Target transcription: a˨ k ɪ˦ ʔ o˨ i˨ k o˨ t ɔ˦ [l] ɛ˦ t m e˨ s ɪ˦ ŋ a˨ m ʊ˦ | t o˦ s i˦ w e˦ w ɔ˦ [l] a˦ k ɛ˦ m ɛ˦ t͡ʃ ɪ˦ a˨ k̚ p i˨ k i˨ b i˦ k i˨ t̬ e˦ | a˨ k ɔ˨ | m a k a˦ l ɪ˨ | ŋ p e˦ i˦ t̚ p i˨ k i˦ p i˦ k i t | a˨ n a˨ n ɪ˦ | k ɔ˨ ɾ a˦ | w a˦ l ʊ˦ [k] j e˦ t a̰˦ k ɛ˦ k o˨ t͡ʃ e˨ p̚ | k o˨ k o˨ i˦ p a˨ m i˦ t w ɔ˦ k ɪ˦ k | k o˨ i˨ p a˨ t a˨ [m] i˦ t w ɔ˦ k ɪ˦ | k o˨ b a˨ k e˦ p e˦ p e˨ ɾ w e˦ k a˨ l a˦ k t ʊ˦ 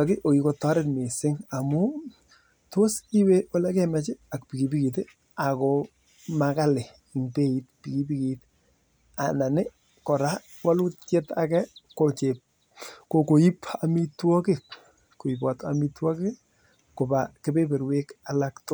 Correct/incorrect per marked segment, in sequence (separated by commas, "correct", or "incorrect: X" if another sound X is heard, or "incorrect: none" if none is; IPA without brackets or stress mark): incorrect: ɾ, correct, incorrect: t, correct